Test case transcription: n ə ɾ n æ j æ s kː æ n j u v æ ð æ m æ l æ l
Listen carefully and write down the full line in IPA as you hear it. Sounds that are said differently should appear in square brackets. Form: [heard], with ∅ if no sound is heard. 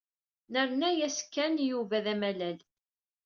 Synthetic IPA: n ə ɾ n æ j æ s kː æ n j u v æ ð æ m æ l æ l